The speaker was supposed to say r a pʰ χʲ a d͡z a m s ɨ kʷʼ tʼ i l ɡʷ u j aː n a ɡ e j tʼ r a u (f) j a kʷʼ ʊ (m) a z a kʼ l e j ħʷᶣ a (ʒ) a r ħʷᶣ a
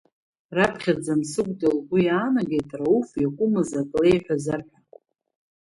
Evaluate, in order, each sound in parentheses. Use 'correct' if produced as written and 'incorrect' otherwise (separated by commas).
correct, correct, incorrect